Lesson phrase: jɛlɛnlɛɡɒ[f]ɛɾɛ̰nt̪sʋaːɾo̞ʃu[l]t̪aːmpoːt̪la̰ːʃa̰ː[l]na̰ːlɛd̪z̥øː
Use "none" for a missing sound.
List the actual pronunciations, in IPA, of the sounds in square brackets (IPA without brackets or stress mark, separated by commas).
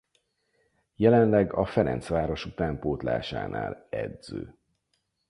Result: f, none, none